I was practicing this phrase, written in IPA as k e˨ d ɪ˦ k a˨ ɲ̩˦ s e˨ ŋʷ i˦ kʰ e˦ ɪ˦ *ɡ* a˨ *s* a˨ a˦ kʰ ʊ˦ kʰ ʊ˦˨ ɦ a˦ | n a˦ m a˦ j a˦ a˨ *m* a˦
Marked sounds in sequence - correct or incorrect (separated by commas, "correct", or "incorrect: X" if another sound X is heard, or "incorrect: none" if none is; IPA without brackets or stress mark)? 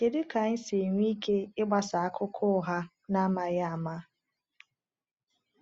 incorrect: ɡ͡b, correct, correct